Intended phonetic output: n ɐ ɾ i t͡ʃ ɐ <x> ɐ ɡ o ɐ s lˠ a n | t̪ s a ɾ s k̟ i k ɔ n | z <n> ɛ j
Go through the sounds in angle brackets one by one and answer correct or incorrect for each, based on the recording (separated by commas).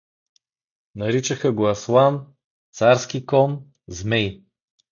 correct, incorrect